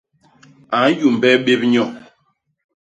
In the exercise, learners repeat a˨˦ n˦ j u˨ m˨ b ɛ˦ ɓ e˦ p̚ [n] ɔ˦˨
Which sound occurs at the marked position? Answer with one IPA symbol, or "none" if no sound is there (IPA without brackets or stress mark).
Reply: ɲ